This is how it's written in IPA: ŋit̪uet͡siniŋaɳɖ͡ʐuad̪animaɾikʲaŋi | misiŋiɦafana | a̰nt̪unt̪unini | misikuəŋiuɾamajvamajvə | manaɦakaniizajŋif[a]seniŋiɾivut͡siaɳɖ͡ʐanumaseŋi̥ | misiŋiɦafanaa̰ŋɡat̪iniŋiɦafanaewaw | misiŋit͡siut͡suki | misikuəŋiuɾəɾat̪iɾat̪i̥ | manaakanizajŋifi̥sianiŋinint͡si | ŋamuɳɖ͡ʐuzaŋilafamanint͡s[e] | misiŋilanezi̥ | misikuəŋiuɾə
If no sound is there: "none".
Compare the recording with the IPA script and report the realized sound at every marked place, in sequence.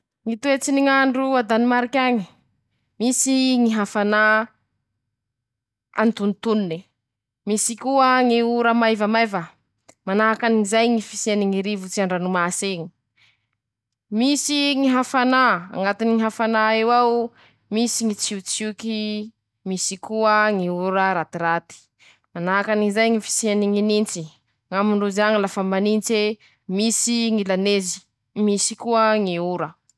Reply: i, e

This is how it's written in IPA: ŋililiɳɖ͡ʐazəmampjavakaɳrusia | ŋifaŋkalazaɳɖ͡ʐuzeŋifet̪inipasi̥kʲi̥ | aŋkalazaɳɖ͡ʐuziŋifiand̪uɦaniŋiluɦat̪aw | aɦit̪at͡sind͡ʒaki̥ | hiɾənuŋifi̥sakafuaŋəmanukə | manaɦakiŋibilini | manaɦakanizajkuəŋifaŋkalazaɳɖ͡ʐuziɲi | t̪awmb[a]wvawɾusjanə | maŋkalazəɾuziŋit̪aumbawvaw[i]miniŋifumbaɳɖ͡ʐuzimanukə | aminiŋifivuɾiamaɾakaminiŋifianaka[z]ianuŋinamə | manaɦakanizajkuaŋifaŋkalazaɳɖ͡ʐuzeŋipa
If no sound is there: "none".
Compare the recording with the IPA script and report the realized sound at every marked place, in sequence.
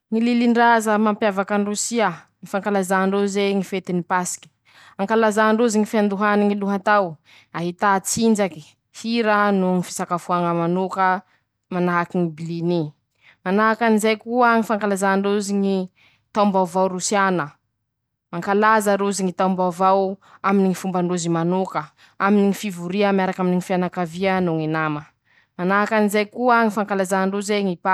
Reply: a, a, v

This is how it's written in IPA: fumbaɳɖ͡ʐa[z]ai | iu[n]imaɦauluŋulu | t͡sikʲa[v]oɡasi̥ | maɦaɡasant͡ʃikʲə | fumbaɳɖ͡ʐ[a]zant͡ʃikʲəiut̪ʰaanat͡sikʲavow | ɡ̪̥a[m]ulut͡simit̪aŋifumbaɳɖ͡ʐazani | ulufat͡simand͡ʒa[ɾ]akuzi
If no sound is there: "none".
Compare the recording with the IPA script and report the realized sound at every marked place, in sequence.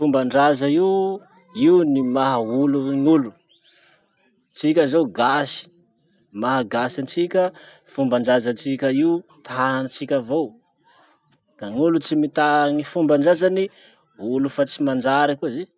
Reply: z, n, z, a, ŋ, ɾ

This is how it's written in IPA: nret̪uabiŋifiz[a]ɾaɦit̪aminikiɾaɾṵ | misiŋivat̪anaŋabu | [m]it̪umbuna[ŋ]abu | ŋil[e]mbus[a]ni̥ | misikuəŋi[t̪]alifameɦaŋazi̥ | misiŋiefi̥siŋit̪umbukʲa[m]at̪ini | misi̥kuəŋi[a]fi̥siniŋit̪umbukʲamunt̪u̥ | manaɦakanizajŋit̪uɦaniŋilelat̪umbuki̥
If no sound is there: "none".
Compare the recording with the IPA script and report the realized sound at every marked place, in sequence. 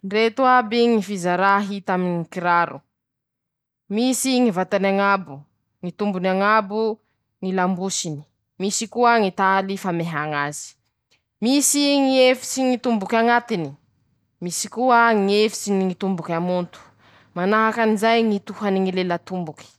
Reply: a, ŋ, ŋ, a, i, t̪, ŋ, e

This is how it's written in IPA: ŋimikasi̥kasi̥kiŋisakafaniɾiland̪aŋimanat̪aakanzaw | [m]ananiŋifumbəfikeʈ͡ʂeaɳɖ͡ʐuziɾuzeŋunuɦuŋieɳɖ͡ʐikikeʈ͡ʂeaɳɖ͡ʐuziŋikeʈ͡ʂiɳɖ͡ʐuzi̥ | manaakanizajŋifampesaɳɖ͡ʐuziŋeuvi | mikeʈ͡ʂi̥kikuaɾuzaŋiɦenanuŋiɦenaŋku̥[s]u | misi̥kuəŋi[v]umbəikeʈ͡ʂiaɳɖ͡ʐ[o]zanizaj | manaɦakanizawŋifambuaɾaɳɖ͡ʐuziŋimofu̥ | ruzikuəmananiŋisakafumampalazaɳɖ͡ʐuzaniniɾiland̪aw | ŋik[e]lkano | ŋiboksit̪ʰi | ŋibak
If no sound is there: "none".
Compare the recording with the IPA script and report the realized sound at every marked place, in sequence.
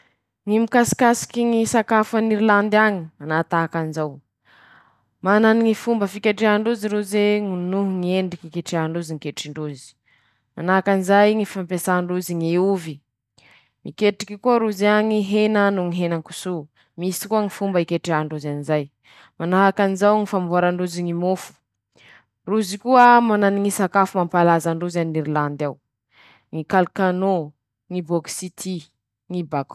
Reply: m, s, f, u, a

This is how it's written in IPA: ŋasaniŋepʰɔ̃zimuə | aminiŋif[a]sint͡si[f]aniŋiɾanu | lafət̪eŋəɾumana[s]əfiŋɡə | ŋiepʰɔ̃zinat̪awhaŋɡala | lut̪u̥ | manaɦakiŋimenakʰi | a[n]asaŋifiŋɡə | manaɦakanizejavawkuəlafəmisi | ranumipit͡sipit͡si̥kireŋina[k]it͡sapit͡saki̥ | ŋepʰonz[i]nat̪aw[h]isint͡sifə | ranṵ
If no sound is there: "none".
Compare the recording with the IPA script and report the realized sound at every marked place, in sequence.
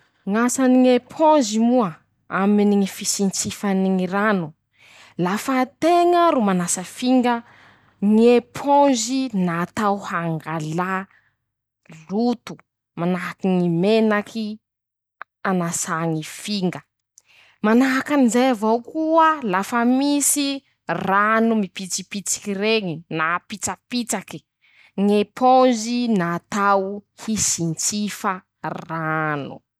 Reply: i, f, s, n, p, i, h

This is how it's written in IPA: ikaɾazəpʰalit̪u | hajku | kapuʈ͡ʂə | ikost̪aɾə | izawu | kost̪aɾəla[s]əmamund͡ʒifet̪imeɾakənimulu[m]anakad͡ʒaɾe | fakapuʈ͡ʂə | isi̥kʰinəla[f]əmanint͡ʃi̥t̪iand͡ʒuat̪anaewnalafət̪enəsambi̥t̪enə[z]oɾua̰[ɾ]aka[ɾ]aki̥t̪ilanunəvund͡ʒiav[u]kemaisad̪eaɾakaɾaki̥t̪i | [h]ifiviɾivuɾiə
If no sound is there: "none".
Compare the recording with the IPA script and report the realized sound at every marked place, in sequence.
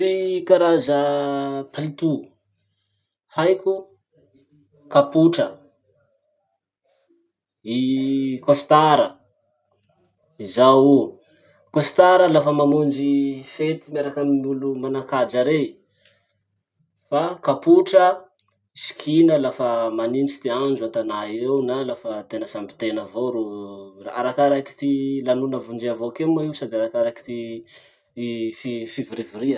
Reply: f, m, f, v, ɾ, ɾ, o, f

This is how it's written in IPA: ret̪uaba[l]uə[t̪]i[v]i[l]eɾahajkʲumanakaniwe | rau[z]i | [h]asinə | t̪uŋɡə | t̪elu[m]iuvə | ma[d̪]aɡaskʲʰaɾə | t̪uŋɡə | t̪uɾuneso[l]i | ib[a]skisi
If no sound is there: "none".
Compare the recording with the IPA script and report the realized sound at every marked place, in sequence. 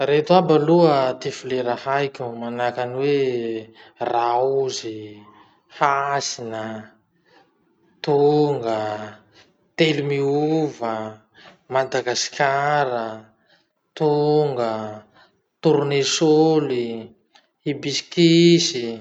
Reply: l, t̪, f, l, z, h, m, d̪, l, i

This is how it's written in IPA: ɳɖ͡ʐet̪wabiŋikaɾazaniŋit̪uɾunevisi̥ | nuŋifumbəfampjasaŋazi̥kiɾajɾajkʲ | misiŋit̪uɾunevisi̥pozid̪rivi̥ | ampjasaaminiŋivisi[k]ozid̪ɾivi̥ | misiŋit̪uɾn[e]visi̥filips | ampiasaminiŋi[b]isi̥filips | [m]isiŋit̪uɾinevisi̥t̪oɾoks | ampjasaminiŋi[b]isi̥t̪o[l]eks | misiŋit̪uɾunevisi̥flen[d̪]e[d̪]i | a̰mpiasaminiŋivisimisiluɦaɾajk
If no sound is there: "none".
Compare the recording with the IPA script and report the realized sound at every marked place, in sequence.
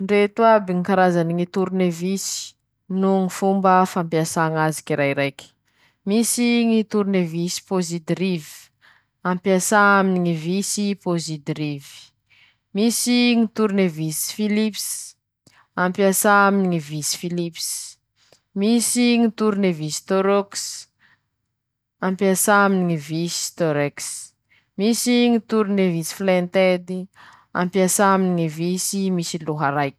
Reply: p, e, v, m, v, ɾ, t̪, d̪

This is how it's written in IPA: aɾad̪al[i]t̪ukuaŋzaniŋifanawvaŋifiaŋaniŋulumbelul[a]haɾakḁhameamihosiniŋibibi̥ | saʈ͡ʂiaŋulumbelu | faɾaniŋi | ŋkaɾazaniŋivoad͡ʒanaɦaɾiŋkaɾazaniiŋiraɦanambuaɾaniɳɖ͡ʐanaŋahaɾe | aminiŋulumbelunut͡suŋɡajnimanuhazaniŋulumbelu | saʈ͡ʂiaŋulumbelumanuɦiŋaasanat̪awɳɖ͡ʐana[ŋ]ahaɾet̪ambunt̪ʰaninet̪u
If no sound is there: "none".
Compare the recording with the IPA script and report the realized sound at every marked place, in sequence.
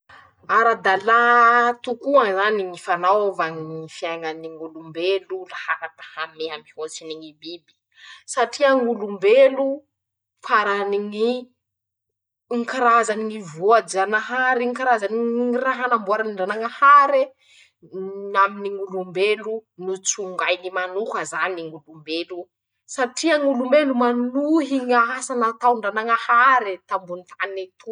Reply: a, a, ŋ

